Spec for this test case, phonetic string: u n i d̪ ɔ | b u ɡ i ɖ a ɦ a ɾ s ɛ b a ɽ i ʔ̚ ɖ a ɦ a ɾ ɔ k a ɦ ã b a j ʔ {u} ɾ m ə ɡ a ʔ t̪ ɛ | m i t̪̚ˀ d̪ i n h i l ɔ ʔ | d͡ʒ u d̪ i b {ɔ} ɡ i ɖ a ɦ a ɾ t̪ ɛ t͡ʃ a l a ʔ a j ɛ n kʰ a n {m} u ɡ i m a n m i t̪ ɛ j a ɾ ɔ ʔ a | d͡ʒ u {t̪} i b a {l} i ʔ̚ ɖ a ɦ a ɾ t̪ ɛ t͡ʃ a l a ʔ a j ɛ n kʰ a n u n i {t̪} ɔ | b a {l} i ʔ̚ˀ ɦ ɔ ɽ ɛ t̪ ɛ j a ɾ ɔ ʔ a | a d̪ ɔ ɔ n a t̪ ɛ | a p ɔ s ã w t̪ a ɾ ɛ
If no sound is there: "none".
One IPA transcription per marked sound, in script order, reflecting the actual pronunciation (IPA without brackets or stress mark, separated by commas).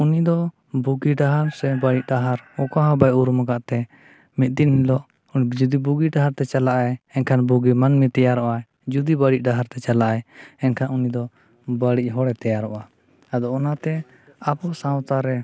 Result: u, u, b, d̪, ɽ, d̪, ɽ